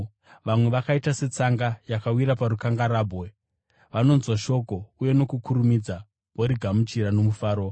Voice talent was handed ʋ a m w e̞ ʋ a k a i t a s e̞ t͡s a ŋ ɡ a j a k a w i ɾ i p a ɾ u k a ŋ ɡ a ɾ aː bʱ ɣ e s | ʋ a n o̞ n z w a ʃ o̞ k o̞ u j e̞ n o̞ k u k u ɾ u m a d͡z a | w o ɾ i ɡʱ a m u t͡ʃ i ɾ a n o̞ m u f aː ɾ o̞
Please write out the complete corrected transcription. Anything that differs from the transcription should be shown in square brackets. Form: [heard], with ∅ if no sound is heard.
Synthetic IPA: ʋ a m w e̞ ʋ a k a i t a s e̞ t͡s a ŋ ɡ a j a k a w i ɾ [a] p a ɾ u k a ŋ ɡ a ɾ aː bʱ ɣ e [∅] | ʋ a n o̞ n z w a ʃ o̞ k o̞ u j e̞ n o̞ k u k u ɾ u m [i] d͡z a | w o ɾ i ɡʱ a m u t͡ʃ i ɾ a n o̞ m u f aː ɾ o̞